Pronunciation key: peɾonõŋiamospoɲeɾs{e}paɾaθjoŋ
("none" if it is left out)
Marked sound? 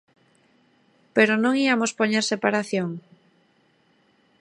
e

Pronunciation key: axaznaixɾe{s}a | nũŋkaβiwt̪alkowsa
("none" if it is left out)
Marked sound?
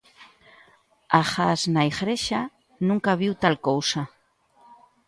ʃ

